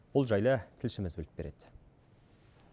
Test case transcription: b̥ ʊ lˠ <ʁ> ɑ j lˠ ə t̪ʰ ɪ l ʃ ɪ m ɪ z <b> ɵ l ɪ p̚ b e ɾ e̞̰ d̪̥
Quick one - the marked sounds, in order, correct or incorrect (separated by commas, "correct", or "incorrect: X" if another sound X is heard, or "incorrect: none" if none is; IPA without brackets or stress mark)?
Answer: incorrect: ʒ, correct